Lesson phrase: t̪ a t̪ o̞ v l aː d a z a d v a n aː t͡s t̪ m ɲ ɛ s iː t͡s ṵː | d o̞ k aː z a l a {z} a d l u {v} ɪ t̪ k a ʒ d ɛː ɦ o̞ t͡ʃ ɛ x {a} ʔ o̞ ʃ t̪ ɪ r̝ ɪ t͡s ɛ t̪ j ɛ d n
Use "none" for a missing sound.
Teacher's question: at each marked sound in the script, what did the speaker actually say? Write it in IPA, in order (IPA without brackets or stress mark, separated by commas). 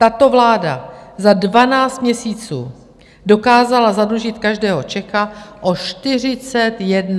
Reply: z, ʒ, a